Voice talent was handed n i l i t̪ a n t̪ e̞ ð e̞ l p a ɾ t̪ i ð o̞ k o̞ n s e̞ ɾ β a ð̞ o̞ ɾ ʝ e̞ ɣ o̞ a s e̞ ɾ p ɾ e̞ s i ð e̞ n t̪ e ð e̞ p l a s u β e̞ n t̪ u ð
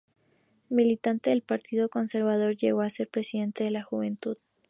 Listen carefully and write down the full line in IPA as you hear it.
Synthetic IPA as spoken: m i l i t̪ a n t̪ e̞ ð e̞ l p a ɾ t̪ i ð o̞ k o̞ n s e̞ ɾ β a ð̞ o̞ ɾ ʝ e̞ ɣ o̞ a s e̞ ɾ p ɾ e̞ s i ð e̞ n t̪ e ð e̞ l a x u β e̞ n t̪ u ð